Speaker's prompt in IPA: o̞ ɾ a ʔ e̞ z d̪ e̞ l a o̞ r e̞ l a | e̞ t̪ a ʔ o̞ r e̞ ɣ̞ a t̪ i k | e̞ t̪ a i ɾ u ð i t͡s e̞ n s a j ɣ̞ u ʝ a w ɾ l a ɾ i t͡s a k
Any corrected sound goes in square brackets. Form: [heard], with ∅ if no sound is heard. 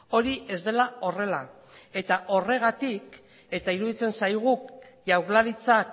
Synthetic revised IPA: o̞ ɾ [i] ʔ e̞ z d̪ e̞ l a o̞ r e̞ l a | e̞ t̪ a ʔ o̞ r e̞ ɣ̞ a t̪ i k | e̞ t̪ a i ɾ u ð i t͡s e̞ n s a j ɣ̞ u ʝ a w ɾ l a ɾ i t͡s a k